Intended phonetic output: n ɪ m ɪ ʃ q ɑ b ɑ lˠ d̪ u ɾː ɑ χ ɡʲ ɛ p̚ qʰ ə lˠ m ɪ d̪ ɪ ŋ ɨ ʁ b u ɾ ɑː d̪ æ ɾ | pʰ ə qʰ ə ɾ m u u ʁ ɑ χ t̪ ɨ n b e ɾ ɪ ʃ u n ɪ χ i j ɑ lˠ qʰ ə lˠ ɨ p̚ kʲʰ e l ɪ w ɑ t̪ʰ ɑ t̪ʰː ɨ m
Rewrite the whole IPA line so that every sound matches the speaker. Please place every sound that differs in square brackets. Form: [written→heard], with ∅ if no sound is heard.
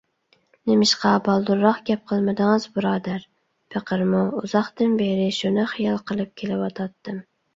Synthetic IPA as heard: n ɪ m ɪ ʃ q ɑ b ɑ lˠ d̪ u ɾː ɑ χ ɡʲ ɛ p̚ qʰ ə lˠ m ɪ d̪ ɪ ŋ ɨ [ʁ→z] b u ɾ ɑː d̪ æ ɾ | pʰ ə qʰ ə ɾ m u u [ʁ→z] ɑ χ t̪ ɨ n b e ɾ ɪ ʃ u n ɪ χ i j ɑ lˠ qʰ ə lˠ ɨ p̚ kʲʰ e l ɪ w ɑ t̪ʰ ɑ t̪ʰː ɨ m